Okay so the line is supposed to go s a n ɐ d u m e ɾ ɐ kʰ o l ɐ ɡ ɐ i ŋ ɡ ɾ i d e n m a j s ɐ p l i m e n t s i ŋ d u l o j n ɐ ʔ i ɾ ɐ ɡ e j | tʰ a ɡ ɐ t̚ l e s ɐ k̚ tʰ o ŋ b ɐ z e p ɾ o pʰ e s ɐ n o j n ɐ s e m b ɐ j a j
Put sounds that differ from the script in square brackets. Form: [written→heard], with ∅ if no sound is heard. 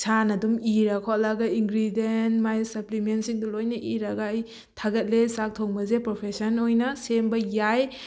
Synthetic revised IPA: s a n ɐ d u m [e→i] ɾ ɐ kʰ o l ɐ ɡ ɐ i ŋ ɡ ɾ i d e n m a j s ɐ p l i m e n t s i ŋ d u l o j n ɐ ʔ i ɾ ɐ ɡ [e→a] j | tʰ a ɡ ɐ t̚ l e s [ɐ→a] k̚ tʰ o ŋ b ɐ z e p ɾ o pʰ e s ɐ n o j n ɐ s e m b ɐ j a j